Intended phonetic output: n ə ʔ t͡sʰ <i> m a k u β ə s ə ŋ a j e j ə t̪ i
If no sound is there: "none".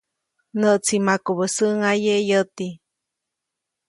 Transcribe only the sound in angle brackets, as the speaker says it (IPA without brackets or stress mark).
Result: i